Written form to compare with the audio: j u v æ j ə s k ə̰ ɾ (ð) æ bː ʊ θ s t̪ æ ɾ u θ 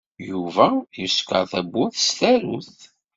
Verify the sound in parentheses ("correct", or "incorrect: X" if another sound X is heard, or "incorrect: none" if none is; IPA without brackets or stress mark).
incorrect: θ